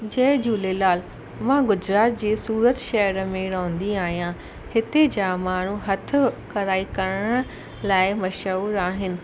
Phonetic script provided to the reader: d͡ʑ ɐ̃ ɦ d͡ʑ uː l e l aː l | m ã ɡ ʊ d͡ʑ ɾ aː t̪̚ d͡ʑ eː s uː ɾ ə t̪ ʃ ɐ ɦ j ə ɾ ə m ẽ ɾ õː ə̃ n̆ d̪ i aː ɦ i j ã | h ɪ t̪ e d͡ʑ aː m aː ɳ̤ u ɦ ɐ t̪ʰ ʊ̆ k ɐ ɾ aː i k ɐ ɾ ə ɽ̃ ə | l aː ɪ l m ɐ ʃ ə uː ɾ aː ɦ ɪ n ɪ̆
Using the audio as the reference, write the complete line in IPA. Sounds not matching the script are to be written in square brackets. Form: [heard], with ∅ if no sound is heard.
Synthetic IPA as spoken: d͡ʑ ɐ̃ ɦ d͡ʑ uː l e l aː l | m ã ɡ ʊ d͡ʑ ɾ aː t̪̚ d͡ʑ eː s uː ɾ ə t̪ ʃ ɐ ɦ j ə ɾ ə m ẽ ɾ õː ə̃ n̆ d̪ i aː ɦ i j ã | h ɪ t̪ e d͡ʑ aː m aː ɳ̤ u ɦ ɐ t̪ʰ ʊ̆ k ɐ ɾ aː i k ɐ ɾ ə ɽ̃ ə | l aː ɪ [∅] m ɐ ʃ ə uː ɾ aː ɦ ɪ n ɪ̆